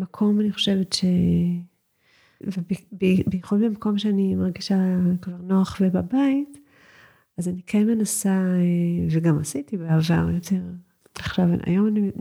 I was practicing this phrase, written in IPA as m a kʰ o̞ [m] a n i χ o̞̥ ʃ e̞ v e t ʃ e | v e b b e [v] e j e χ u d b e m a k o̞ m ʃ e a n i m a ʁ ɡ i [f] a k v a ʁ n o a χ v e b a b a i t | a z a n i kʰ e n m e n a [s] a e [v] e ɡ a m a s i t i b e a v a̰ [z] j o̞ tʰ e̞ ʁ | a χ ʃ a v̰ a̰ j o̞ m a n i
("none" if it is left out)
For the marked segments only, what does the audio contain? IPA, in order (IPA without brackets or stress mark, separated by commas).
m, b, ʃ, s, v, ʁ